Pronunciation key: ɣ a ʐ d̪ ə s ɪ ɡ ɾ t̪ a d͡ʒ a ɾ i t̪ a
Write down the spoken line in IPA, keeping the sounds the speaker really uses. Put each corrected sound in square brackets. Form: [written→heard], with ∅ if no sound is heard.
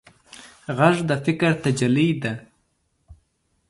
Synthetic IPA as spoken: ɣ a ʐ d̪ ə [s→f] ɪ [ɡ→k] ɾ t̪ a d͡ʒ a [ɾ→l] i [t̪→d̪] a

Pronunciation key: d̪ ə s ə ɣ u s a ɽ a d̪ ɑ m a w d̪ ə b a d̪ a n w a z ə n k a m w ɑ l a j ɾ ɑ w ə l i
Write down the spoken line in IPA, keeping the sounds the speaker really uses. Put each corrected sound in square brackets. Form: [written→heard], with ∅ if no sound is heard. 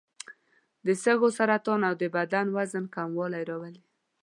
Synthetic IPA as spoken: d̪ ə s ə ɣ [u→o] s a [ɽ→ɾ] a [d̪→t̪] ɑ [m→n] a w d̪ ə b a d̪ a n w a z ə n k a m w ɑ l a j ɾ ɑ w ə l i

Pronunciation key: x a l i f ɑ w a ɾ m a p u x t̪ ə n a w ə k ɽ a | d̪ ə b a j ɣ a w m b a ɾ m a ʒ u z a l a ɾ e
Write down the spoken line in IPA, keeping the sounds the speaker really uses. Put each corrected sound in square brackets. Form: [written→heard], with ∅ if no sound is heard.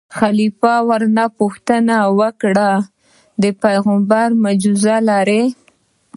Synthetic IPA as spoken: x a l i f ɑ w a ɾ [m→n] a p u x t̪ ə n a w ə k ɽ a | d̪ ə [b→p] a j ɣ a [w→∅] m b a ɾ m a [ʒ→d͡ʒ] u z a l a ɾ e

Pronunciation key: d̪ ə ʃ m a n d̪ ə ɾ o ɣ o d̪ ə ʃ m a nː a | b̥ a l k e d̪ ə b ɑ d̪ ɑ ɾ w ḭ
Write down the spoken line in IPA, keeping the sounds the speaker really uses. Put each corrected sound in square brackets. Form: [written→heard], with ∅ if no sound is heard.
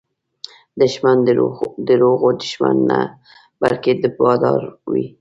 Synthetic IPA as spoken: d̪ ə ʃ m a n d̪ ə ɾ o ɣ o d̪ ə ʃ m a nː a | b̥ a l k e d̪ ə b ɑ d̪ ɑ ɾ w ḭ

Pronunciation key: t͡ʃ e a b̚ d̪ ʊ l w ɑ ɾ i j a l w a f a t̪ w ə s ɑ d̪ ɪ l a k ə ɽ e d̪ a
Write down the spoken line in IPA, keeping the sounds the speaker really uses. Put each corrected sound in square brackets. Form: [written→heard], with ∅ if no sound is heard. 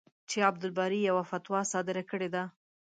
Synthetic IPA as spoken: t͡ʃ e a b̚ d̪ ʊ l [w→b] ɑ ɾ i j a [l→∅] w a f a t̪ w [ə→ɑ] s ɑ d̪ ɪ [l→ɾ] a k ə ɽ e d̪ a

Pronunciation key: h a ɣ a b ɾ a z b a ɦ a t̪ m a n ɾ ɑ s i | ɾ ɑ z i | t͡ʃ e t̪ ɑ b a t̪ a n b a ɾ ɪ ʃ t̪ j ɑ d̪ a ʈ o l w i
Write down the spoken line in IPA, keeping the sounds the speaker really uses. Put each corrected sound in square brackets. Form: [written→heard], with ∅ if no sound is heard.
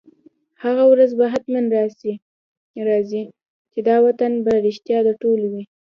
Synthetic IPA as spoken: h a ɣ a [b→w] ɾ a z b a ɦ a t̪ m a n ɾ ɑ s i | ɾ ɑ z i | t͡ʃ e [t̪→d̪] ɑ [b→w] a t̪ a n b a ɾ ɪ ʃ t̪ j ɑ d̪ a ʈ o l w i

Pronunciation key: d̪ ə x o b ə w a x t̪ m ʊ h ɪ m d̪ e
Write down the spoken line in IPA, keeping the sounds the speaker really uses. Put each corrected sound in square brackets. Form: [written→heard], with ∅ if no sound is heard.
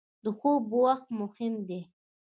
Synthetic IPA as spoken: d̪ ə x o b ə w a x t̪ m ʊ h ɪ m d̪ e

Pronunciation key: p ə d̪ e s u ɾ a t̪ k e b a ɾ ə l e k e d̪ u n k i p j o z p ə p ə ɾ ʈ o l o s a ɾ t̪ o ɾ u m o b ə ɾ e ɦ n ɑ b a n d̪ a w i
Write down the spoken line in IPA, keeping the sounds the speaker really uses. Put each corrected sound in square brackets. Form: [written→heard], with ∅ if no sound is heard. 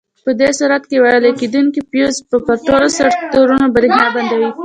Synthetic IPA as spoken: p ə d̪ e s u ɾ a t̪ k e [b→w] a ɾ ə l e k e d̪ u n k i p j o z p ə p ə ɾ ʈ o l o s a ɾ t̪ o ɾ u [m→n] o b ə ɾ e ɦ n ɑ b a n d̪ a w i

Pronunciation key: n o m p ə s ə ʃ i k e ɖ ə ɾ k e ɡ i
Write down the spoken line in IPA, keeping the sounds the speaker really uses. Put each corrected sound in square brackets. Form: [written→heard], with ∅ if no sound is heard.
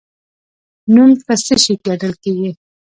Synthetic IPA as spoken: n [o→u] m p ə s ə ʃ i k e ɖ ə [ɾ→l] k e ɡ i

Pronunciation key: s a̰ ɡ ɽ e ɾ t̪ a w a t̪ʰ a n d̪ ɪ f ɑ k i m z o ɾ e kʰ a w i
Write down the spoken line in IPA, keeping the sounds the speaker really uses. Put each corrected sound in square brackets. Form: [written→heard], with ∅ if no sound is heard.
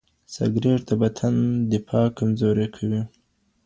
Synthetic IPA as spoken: s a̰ ɡ [ɽ→ɾ] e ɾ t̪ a [w→b] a t̪ʰ a n d̪ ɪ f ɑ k [i→a] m z o ɾ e kʰ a w i

